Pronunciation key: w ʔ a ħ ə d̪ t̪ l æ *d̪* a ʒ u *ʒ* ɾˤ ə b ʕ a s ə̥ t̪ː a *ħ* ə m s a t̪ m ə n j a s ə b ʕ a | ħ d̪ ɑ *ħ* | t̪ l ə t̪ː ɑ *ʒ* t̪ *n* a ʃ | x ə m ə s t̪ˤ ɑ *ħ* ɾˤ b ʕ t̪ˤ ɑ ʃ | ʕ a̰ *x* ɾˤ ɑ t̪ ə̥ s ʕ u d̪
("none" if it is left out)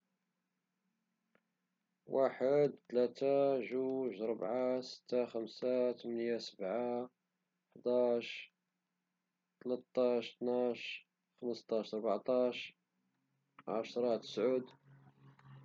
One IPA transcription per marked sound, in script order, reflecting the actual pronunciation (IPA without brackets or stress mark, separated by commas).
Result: t̪, ʒ, x, ʃ, ʃ, n, ʃ, ʃ